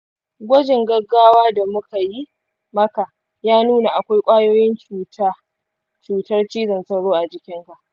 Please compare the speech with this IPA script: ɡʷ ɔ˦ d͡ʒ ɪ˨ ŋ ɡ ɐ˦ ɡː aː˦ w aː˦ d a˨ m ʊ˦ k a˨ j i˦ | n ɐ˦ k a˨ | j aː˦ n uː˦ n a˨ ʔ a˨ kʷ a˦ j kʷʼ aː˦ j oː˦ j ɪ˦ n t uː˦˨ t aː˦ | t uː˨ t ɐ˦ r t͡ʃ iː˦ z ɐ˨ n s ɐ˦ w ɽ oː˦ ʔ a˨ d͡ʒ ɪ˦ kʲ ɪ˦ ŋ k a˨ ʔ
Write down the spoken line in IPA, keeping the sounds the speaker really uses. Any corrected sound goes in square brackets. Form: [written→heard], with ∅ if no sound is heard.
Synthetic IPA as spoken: ɡʷ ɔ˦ d͡ʒ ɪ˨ ŋ ɡ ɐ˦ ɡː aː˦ w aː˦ d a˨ m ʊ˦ k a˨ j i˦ | [n→m] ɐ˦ k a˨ | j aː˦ n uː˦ n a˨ ʔ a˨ kʷ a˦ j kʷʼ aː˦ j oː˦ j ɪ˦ n [t→t͡ʃ] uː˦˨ t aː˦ | [t→t͡ʃ] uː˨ t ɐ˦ r t͡ʃ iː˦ z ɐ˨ n s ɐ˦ w ɽ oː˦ ʔ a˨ d͡ʒ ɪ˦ kʲ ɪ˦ ŋ k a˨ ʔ